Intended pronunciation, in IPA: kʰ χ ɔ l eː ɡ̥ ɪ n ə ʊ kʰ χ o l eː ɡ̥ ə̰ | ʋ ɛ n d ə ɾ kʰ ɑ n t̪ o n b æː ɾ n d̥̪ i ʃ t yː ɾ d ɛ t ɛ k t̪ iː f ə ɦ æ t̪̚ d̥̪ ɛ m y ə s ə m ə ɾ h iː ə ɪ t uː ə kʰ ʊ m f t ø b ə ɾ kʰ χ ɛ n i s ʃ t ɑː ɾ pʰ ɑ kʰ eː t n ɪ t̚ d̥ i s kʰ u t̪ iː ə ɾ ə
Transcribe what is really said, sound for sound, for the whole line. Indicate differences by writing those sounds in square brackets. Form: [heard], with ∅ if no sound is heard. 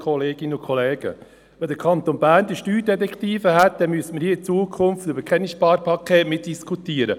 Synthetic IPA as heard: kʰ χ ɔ l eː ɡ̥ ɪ n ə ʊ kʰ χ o l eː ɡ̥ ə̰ | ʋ ɛ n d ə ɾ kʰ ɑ n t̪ o n b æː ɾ n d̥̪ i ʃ t yː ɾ d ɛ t ɛ k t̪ iː f ə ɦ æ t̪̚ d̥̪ ɛ m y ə s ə m ə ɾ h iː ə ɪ [t͡s] uː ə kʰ ʊ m f t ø b ə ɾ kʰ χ ɛ n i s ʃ [p] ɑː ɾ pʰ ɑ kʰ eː t [m] ɪ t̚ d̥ i s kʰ u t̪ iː ə ɾ ə